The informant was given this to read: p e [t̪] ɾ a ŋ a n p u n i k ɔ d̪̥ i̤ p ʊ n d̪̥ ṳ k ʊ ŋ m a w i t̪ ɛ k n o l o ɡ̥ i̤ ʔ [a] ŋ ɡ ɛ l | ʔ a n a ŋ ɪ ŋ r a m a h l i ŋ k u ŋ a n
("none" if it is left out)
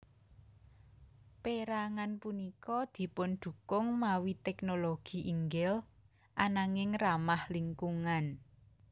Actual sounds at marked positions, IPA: none, i

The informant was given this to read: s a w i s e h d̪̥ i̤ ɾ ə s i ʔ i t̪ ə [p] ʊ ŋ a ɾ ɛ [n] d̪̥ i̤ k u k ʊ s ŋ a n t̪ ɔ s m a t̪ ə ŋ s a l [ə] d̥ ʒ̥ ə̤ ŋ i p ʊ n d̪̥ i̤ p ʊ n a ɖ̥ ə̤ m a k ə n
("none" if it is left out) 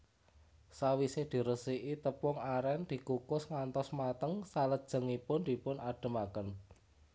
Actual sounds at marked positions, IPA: p, n, ə

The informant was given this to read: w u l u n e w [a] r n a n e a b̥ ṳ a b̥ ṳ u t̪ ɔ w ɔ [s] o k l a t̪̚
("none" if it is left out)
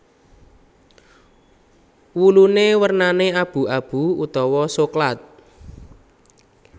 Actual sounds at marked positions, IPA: ə, s

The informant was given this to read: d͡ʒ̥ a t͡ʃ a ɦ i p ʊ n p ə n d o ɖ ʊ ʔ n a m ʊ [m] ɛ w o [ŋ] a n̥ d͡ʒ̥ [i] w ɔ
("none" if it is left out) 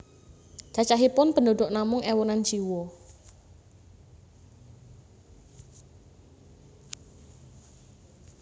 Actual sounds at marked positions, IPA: ŋ, n, i

